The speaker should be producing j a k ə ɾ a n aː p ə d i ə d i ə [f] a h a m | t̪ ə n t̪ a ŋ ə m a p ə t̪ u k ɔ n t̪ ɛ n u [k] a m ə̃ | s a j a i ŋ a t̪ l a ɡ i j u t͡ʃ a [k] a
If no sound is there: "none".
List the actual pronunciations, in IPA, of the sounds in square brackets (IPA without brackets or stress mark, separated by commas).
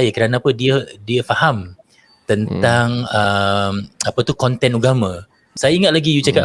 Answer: f, ɡ, k